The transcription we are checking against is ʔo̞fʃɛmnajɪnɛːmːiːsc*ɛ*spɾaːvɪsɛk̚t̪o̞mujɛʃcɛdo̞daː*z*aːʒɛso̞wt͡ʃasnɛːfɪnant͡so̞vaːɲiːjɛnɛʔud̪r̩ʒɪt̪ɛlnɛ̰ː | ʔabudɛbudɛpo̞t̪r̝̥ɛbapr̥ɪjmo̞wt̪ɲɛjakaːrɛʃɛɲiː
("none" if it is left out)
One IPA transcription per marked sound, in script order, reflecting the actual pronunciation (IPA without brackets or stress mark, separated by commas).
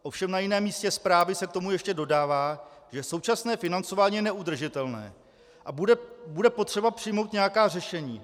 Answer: ɛ, v